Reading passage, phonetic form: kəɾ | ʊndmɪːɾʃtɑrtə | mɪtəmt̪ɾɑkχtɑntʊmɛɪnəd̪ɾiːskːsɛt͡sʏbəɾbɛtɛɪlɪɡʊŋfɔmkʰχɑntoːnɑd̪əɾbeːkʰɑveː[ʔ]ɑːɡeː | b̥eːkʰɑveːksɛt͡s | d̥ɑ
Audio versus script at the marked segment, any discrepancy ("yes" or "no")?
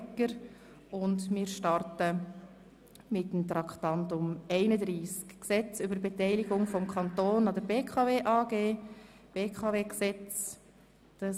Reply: no